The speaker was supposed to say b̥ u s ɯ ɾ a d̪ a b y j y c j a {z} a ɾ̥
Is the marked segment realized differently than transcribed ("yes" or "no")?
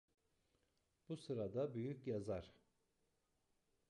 no